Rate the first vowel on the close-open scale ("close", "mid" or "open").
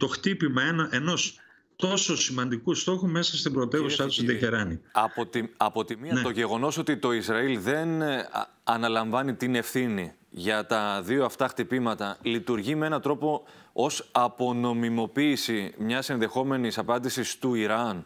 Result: mid